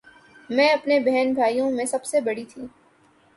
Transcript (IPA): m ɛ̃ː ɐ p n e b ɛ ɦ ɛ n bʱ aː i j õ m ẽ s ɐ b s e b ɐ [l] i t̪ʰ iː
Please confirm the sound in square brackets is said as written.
no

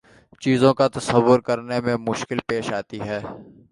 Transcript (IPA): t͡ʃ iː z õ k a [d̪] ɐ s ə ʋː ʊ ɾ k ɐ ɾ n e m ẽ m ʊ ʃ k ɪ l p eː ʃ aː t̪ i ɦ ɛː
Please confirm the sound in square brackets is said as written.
no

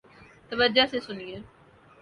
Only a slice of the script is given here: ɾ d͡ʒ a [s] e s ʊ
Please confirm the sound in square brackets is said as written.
yes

